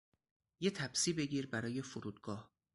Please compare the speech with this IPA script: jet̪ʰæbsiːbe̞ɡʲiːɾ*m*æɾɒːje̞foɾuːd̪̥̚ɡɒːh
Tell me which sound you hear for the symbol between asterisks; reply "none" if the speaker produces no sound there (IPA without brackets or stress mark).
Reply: b